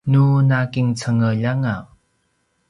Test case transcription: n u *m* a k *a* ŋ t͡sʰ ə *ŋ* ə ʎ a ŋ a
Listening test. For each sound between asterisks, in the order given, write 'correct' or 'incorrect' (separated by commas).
incorrect, incorrect, correct